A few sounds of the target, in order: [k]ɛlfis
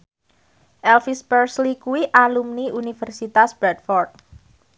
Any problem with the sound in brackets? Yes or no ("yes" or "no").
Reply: yes